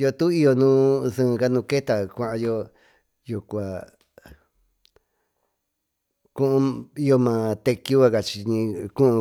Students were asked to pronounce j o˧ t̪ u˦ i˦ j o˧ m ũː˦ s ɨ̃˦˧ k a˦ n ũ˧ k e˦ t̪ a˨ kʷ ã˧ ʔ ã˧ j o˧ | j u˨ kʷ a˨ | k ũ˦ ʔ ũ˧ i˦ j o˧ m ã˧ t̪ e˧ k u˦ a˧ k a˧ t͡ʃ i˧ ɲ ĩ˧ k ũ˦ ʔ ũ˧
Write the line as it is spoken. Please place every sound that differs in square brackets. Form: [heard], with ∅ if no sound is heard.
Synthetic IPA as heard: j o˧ t̪ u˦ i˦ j o˧ [n] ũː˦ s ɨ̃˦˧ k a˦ n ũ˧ k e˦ t̪ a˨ kʷ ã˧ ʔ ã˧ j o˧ | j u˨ kʷ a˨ | k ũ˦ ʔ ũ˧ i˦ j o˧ m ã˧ t̪ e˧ k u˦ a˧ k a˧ t͡ʃ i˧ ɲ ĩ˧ k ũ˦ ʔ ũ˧